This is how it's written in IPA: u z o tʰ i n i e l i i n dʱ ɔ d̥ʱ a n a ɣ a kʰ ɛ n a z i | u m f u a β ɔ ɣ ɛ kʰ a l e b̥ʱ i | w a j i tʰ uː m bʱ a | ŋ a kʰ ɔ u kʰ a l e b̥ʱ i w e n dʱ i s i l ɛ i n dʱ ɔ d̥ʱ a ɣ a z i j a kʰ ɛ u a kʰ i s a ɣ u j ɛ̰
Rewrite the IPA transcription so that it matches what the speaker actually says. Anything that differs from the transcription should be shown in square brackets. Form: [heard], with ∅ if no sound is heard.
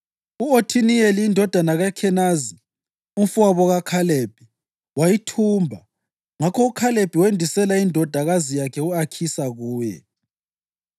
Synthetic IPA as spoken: u [∅] o tʰ i n i e l i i n dʱ ɔ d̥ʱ a n a ɣ a kʰ ɛ n a z i | u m f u a β ɔ ɣ [a] kʰ a l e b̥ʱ i | w a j i tʰ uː m bʱ a | ŋ a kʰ ɔ u kʰ a l e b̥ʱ i w e n dʱ i s [ɛ] l [a] i n dʱ ɔ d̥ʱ a ɣ a z i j a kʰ ɛ u a kʰ i s a ɣ [uː] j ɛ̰